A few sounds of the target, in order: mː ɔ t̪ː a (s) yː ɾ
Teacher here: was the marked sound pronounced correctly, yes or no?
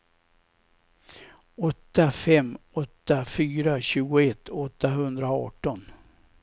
no